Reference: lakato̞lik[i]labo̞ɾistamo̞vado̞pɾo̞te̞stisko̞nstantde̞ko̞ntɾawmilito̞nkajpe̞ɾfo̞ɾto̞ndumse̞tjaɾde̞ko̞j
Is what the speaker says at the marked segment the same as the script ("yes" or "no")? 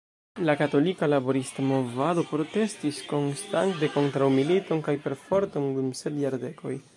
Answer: no